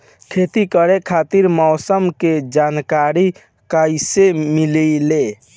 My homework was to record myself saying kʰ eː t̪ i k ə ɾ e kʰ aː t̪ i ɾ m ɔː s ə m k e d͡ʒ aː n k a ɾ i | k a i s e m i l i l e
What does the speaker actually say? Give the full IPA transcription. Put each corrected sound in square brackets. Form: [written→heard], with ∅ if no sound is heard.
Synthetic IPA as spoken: kʰ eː t̪ i k ə ɾ e kʰ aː t̪ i ɾ m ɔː s ə m k e d͡ʒ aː n k a ɾ i | k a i s e m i l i l e